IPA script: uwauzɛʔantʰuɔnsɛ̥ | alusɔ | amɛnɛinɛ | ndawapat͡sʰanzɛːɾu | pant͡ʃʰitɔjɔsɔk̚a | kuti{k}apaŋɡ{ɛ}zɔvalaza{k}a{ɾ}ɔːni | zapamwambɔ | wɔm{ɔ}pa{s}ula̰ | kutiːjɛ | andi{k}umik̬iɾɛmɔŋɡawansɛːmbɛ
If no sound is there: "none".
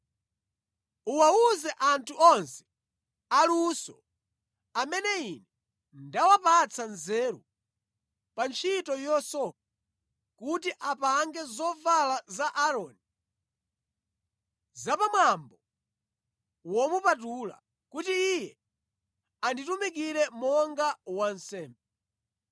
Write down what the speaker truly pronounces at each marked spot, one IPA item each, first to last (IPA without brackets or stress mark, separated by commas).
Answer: ʔ, ɛ, ʔ, ɾ, u, t, t